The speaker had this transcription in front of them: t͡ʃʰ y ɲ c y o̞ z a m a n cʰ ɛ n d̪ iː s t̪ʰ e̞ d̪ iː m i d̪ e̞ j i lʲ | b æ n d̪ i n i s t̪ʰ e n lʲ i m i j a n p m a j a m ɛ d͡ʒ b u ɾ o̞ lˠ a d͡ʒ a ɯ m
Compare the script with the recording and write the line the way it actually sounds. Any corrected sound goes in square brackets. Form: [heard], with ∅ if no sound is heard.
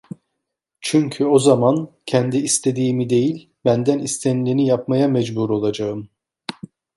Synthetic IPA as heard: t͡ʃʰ y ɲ [cʰ] y o̞ z a m a n cʰ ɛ n d̪ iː s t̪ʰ e̞ d̪ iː m i d̪ e̞ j i lʲ | b æ n d̪ [æ] n i s t̪ʰ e n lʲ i [n] i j a [∅] p m a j a m ɛ d͡ʒ b u ɾ o̞ lˠ a d͡ʒ a ɯ m

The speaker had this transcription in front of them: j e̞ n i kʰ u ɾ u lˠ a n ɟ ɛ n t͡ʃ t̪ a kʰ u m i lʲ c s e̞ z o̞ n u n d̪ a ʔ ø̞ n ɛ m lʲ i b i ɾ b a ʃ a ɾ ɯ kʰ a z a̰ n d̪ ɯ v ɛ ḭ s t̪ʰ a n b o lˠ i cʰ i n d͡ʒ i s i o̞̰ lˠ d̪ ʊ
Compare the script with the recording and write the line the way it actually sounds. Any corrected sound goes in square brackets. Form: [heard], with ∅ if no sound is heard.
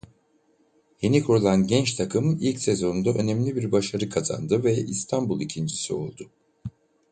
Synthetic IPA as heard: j e̞ n i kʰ u ɾ u lˠ a n ɟ ɛ n t͡ʃ [t̪ʰ] a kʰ [ɯ] m i lʲ c s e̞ z o̞ n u n d̪ a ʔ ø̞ n ɛ m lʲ i b i ɾ b a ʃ a ɾ ɯ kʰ a z a̰ n d̪ ɯ v ɛ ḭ s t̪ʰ a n b [u] lˠ i cʰ i n d͡ʒ i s i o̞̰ lˠ d̪ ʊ

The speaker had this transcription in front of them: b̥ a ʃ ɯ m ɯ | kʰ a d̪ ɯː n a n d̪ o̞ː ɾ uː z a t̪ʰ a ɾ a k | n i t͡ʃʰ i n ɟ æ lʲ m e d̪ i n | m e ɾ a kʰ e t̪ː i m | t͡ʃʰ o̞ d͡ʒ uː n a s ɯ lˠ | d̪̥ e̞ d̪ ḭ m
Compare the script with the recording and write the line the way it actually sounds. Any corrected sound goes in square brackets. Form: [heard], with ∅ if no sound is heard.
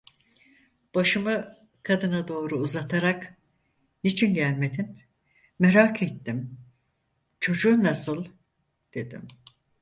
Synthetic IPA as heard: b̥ a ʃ ɯ m ɯ | kʰ a d̪ [ɯ] n a [∅] d̪ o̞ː ɾ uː z a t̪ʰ a ɾ a k | n i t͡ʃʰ i n ɟ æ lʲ m e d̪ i n | m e ɾ a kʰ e t̪ː i m | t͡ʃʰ o̞ d͡ʒ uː n a s ɯ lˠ | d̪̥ e̞ d̪ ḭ m

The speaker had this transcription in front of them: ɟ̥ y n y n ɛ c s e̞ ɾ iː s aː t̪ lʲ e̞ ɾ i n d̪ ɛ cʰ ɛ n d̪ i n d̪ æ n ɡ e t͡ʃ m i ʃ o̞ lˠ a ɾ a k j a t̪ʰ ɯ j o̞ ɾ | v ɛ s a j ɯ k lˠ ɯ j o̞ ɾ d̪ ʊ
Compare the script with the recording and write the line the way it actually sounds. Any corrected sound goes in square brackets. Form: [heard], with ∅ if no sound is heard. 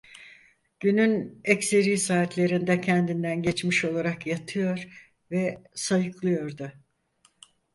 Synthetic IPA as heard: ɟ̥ y n y n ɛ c s e̞ ɾ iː s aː t̪ lʲ e̞ ɾ i n d̪ ɛ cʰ ɛ n d̪ i n d̪ æ n [ɟ] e t͡ʃ m i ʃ o̞ lˠ a ɾ a k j a t̪ʰ ɯ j o̞ ɾ | v ɛ s a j ɯ k lˠ ɯ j o̞ ɾ d̪ ʊ

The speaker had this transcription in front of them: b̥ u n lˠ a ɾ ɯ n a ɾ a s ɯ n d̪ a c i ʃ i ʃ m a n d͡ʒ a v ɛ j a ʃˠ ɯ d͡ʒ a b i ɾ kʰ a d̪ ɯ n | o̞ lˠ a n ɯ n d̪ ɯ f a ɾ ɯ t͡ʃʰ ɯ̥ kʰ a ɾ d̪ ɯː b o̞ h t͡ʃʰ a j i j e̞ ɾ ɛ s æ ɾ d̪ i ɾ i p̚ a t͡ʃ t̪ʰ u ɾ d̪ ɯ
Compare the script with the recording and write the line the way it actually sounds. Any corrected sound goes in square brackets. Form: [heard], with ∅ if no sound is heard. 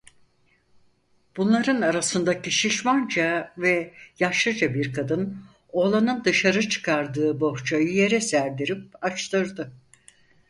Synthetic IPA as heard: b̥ u n lˠ a ɾ ɯ n a ɾ a s ɯ n d̪ a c i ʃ i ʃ m a n d͡ʒ a v ɛ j a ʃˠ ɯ d͡ʒ a b i ɾ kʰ a d̪ ɯ n | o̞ lˠ a n ɯ n d̪ ɯ [ʃ] a ɾ ɯ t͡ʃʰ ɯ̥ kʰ a ɾ d̪ ɯː b o̞ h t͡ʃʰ a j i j e̞ ɾ ɛ s æ ɾ d̪ i ɾ i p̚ a t͡ʃ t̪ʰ [ɯ] ɾ d̪ ɯ

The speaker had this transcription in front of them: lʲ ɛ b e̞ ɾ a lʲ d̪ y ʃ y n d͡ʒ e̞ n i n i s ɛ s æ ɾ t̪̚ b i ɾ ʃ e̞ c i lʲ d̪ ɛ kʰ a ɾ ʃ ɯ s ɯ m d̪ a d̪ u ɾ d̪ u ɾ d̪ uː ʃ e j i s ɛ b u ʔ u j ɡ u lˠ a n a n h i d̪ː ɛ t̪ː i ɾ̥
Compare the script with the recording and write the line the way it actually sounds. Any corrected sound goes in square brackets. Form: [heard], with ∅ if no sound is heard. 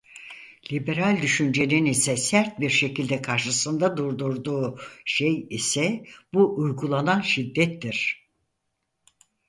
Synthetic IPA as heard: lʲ [i] b e̞ ɾ a lʲ d̪ y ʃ y n d͡ʒ e̞ n i n i s ɛ s æ ɾ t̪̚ b i ɾ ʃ e̞ c i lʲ d̪ ɛ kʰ a ɾ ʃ ɯ s ɯ [n] d̪ a d̪ u ɾ d̪ u ɾ d̪ uː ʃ e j i s ɛ b u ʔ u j ɡ u lˠ a n a n [ʃ] i d̪ː ɛ t̪ː i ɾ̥

